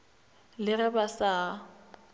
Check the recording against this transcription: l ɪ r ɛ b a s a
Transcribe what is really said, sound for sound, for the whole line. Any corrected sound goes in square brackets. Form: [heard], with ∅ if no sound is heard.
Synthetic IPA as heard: l ɪ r ɛ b a s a